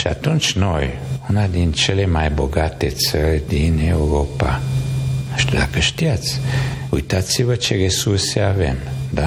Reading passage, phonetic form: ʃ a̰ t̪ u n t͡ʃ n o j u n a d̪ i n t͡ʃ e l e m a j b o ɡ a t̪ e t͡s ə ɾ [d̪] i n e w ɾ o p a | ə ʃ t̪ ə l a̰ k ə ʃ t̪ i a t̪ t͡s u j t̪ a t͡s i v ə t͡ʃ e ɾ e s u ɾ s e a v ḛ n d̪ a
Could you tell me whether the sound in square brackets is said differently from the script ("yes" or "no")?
no